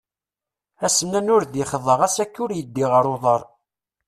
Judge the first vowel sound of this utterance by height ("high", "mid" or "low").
low